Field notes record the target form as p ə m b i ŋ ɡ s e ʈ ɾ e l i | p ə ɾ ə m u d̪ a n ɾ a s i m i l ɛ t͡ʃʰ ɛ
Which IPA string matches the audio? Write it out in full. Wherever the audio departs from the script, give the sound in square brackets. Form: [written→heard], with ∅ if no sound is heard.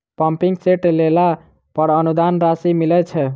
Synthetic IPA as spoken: p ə m [b→p] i ŋ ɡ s e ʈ [ɾ→l] e l [i→a] | p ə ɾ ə [m→n] u d̪ a n ɾ a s i m i l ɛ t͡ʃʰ ɛ